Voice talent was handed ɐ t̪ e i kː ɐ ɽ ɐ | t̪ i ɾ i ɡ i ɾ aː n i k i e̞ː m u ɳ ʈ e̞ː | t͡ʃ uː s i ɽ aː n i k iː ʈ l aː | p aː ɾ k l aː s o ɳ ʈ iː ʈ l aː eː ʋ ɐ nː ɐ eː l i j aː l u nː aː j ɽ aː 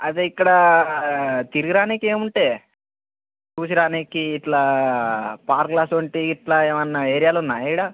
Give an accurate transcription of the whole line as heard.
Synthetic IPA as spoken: ɐ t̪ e i kː ɐ ɽ ɐ | t̪ i ɾ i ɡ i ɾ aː n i k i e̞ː m u ɳ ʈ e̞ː | t͡ʃ uː s i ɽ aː n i k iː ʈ l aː | p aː ɾ k l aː s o ɳ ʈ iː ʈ l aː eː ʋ ɐ nː ɐ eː ɾ i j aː l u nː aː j ɽ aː